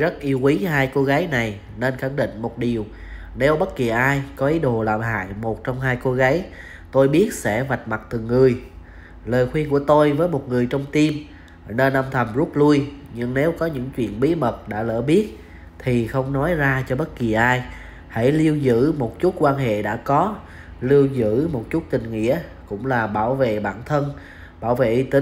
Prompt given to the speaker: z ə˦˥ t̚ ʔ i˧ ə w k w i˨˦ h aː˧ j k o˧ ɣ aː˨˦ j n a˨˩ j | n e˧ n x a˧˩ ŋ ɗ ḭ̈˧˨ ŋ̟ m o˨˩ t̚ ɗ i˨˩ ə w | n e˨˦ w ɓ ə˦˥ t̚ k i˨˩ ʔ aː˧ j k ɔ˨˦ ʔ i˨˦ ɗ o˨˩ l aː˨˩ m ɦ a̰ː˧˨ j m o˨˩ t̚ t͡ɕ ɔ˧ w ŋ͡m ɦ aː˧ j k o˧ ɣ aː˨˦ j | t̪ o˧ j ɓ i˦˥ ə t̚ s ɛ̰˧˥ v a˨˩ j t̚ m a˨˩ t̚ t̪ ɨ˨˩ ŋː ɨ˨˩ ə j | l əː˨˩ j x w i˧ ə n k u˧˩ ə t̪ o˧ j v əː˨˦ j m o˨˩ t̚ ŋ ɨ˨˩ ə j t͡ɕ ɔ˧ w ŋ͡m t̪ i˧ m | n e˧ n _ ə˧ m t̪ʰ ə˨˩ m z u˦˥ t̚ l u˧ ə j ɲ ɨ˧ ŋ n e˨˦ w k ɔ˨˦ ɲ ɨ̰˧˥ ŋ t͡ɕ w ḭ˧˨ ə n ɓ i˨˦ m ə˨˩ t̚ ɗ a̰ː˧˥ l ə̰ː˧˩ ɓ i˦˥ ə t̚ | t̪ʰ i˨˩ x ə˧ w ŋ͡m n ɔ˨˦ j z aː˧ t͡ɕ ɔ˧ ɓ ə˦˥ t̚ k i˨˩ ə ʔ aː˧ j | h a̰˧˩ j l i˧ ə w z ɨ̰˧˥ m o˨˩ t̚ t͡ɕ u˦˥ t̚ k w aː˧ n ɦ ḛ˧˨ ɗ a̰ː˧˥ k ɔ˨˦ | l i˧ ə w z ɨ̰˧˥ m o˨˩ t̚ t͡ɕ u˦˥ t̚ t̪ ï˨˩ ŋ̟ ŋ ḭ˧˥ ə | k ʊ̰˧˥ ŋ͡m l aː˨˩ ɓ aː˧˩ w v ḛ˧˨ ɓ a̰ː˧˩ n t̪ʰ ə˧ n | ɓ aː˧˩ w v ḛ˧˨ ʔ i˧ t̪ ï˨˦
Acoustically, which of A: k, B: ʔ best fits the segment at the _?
B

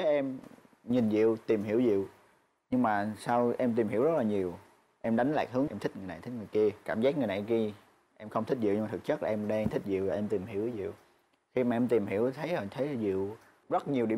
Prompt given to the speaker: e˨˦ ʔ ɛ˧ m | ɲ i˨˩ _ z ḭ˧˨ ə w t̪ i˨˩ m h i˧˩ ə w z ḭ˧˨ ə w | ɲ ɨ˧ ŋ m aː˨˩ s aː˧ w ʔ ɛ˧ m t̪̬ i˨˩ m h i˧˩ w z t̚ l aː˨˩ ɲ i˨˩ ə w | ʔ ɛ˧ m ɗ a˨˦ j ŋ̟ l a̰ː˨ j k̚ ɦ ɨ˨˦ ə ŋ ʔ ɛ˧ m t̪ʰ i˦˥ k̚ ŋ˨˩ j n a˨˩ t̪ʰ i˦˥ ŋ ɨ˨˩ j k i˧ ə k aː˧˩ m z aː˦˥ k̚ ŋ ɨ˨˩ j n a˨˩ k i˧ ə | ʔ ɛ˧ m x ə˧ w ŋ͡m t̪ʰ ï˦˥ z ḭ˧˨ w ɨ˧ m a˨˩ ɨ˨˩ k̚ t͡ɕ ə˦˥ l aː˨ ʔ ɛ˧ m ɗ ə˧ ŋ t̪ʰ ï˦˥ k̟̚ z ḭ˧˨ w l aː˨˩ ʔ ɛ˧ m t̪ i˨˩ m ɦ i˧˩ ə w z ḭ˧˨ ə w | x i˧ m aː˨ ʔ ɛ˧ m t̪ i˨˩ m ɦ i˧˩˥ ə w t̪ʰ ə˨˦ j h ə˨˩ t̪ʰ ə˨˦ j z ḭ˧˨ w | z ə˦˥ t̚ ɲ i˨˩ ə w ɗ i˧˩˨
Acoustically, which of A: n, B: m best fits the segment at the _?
A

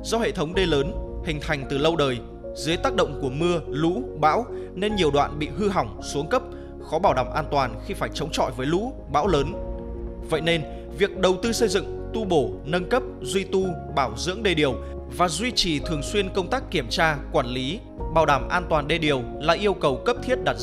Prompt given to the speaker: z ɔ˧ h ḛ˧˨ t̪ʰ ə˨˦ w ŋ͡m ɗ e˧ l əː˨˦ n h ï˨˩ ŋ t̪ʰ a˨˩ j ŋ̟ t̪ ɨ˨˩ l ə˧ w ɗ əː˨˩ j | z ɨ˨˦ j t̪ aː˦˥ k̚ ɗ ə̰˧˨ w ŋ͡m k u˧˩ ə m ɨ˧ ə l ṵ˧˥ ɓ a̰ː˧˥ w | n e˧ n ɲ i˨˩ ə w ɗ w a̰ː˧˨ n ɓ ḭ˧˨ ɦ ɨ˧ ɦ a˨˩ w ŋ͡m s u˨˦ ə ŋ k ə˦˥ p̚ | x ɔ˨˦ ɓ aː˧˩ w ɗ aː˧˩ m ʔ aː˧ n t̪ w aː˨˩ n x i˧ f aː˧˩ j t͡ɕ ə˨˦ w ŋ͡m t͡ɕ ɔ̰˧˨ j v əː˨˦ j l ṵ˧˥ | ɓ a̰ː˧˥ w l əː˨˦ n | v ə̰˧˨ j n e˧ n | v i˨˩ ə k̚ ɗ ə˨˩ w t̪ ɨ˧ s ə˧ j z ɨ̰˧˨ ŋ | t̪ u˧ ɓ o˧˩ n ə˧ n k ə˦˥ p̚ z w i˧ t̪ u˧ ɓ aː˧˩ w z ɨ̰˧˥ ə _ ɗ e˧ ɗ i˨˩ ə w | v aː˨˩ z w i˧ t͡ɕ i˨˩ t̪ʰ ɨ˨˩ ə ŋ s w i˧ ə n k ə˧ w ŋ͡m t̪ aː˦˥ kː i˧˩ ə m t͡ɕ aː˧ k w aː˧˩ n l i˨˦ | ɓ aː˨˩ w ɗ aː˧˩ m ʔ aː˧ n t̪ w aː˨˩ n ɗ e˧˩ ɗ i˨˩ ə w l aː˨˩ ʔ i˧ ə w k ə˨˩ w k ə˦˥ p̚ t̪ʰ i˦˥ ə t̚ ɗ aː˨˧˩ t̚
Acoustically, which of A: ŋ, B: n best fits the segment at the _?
A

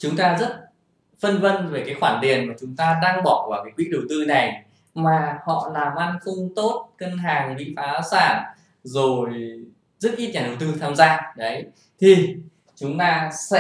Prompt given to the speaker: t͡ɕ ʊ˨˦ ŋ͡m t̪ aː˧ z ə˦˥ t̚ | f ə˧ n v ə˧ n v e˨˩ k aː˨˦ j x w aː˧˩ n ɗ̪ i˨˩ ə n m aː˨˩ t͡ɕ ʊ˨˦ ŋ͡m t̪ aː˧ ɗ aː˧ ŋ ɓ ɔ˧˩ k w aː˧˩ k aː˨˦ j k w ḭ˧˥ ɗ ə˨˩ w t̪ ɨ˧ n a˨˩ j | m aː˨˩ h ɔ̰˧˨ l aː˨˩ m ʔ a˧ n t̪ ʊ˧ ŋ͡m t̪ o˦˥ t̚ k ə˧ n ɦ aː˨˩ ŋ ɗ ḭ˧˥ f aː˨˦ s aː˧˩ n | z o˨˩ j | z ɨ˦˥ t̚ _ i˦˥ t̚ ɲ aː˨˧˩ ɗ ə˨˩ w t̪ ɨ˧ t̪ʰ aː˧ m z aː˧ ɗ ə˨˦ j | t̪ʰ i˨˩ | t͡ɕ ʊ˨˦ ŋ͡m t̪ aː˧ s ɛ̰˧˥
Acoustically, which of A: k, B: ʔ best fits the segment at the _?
B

